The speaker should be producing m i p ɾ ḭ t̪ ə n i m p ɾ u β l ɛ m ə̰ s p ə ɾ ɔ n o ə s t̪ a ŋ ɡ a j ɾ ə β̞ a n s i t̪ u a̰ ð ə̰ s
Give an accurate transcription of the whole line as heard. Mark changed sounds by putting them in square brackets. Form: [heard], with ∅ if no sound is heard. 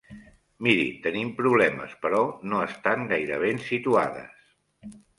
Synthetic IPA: m i [∅] ɾ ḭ t̪ ə n i m p ɾ u β l ɛ m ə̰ s p ə ɾ ɔ n o ə s t̪ a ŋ ɡ a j ɾ ə β̞ [e] n s i t̪ u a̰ ð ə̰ s